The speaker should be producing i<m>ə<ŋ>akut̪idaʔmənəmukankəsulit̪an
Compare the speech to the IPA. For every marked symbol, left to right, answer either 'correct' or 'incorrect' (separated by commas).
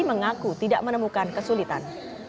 correct, correct